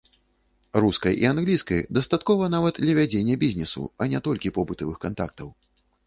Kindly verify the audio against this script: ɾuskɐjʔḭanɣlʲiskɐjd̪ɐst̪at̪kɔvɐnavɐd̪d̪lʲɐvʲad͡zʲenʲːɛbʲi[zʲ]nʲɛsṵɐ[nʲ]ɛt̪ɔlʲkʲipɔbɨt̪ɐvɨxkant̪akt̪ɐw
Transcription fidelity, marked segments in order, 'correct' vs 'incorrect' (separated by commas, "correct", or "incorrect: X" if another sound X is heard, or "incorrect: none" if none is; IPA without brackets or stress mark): correct, correct